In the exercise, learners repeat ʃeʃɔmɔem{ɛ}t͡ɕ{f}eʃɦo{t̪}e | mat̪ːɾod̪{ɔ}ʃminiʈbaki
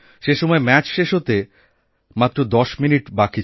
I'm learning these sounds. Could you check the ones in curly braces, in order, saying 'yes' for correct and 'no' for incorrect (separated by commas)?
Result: yes, no, yes, yes